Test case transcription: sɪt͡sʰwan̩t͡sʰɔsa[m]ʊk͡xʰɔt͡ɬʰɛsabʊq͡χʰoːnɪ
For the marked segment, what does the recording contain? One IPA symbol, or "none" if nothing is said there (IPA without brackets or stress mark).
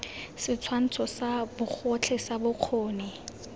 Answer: b